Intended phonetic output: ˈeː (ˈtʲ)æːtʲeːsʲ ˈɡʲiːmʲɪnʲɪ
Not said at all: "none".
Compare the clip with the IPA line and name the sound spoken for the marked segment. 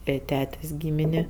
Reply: tʲ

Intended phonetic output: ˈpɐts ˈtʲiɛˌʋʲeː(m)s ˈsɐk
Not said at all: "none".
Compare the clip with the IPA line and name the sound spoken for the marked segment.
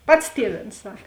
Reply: n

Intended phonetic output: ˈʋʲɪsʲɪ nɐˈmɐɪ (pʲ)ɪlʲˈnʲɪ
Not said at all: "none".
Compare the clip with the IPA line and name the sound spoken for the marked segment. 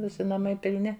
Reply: pʲ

